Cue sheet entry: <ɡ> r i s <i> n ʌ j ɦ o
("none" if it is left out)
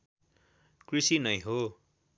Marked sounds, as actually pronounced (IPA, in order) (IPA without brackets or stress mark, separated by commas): k, i